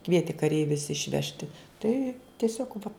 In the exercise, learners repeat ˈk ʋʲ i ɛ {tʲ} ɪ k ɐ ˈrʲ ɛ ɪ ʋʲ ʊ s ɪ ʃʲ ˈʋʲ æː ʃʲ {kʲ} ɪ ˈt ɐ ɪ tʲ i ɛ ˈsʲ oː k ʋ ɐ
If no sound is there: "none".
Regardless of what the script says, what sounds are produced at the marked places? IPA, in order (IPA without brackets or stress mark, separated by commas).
tʲ, tʲ